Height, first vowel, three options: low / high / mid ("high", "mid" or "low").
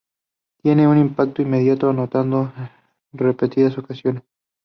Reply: mid